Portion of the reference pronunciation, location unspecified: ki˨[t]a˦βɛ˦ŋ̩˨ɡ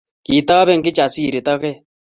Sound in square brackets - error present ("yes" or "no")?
no